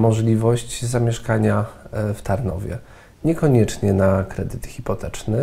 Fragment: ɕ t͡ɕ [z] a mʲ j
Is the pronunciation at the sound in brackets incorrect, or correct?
correct